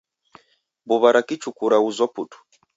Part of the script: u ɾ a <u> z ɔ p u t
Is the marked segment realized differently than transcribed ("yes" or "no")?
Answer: no